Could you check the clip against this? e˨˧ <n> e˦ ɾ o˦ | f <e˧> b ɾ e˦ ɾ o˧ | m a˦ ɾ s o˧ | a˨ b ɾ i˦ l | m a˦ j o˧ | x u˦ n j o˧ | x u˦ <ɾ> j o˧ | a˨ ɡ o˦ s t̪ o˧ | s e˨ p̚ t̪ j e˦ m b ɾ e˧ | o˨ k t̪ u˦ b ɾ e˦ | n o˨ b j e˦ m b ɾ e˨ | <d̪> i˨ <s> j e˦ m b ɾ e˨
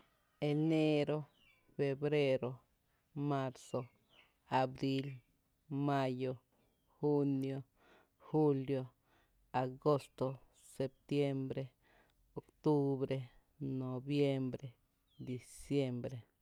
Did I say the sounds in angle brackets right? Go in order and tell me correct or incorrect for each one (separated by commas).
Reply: correct, correct, incorrect, correct, correct